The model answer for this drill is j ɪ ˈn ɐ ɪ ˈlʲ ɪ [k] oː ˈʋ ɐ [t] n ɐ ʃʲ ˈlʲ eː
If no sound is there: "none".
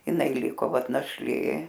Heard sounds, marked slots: k, t

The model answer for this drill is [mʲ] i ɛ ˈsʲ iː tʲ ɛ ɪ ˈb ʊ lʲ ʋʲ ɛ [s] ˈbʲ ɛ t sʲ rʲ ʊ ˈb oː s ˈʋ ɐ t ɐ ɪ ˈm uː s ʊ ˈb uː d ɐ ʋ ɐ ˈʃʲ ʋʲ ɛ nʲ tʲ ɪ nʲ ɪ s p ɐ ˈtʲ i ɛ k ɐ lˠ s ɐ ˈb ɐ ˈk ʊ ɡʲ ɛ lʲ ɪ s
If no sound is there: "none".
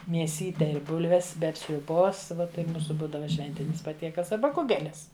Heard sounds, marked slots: mʲ, s

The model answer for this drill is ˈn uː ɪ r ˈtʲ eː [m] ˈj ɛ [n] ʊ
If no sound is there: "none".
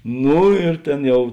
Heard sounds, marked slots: n, none

